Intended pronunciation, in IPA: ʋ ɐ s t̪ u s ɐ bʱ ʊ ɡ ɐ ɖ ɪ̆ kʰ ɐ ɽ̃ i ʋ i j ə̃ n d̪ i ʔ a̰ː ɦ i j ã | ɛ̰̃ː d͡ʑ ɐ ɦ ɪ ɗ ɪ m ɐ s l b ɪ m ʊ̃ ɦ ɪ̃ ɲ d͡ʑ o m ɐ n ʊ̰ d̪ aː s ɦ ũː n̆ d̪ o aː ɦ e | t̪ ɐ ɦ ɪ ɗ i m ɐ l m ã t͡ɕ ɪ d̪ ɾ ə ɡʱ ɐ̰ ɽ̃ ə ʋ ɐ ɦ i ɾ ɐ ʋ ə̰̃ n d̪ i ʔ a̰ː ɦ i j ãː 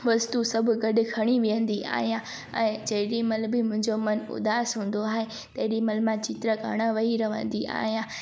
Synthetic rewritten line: ʋ ɐ s t̪ u s ɐ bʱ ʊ ɡ ɐ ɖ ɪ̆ kʰ ɐ ɽ̃ i ʋ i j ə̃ n d̪ i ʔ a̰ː ɦ i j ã | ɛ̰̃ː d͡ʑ ɐ ɦ ɪ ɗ i m ɐ l b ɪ m ʊ̃ ɦ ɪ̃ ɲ d͡ʑ o m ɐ n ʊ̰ d̪ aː s ɦ ũː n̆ d̪ o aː ɦ e | t̪ ɐ ɦ ɪ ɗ i m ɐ l m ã t͡ɕ ɪ t̪ ɾ ə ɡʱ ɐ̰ ɽ̃ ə ʋ ɐ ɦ i ɾ ɐ ʋ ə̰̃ n d̪ i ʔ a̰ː ɦ i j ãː

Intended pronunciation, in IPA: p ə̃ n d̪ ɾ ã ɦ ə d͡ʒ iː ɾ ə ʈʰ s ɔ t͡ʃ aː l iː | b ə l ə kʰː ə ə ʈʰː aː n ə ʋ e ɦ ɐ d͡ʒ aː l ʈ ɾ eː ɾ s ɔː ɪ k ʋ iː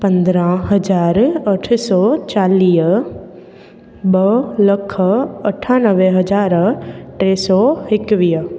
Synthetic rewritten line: p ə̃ n d̪ ɾ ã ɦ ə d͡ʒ aː ɾ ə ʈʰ s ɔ t͡ʃ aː l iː | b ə l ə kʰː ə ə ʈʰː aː n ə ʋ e ɦ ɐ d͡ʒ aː ɾ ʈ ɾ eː s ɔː ɪ k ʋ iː

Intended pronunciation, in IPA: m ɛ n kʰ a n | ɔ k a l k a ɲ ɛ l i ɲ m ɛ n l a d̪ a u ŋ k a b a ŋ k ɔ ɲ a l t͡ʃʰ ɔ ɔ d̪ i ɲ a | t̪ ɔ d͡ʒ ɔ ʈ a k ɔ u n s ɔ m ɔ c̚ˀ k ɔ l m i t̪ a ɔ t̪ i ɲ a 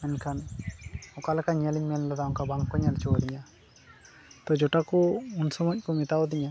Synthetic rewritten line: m ɛ n kʰ a n | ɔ k a l k a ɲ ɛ l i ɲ m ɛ n l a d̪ a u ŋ k a b a ŋ k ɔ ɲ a l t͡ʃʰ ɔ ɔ d̪ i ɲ a | t̪ ɔ d͡ʒ ɔ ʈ a k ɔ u n s ɔ m ɔ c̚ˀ k ɔ m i t̪ a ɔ d̪ i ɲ a

